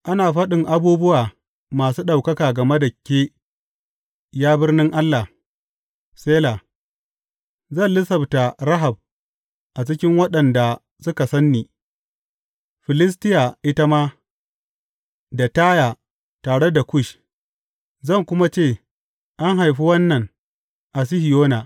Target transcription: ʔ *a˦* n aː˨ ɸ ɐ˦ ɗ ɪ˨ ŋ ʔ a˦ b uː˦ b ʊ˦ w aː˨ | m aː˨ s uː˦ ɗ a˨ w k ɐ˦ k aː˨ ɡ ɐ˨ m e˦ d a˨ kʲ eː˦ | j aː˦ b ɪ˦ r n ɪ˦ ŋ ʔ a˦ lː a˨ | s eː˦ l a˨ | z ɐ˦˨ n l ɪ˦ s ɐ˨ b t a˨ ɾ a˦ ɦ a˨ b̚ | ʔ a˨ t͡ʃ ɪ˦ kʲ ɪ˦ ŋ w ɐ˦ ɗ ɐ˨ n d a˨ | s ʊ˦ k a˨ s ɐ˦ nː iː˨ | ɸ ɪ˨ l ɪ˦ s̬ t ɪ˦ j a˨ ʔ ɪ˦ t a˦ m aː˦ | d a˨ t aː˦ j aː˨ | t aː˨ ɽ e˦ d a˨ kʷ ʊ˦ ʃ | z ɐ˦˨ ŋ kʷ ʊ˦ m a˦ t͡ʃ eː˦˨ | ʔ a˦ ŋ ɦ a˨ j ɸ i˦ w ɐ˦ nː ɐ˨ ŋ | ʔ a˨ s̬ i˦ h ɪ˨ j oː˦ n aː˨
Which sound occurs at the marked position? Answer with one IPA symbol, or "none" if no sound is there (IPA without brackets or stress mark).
a˦